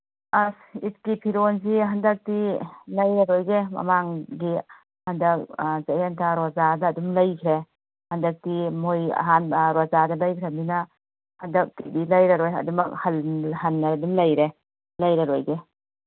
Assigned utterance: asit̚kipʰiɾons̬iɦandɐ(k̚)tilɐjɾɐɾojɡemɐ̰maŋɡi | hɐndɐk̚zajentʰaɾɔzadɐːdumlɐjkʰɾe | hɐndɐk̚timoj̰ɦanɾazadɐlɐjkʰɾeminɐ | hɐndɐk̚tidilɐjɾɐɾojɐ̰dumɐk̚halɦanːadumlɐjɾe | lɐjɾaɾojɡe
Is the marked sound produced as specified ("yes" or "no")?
yes